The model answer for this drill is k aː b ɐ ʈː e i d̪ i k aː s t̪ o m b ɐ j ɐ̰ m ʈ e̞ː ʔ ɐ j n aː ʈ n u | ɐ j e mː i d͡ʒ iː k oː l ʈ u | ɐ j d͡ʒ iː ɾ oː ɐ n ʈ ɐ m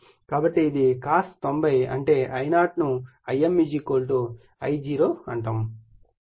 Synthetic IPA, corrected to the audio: k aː b ɐ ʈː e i d̪ i k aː s t̪ o m b ɐ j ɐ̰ ɳ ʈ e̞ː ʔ ɐ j n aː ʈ n u | ɐ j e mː i d͡ʒ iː k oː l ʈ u | ɐ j d͡ʒ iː ɾ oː ɐ ɳ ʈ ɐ m

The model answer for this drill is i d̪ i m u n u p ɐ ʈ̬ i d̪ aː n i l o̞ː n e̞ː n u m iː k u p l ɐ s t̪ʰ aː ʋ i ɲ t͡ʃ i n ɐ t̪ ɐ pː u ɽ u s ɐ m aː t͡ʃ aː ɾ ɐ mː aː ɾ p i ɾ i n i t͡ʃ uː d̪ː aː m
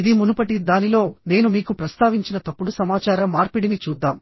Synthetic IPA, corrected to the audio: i d̪ i m u n u p ɐ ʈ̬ i d̪ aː n i l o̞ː n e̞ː n u m iː k u p ɾ ɐ s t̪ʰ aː ʋ i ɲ t͡ʃ i n ɐ t̪ ɐ pː u ɽ u s ɐ m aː t͡ʃ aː ɾ ɐ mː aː ɾ p i ɽ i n i t͡ʃ uː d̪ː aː m

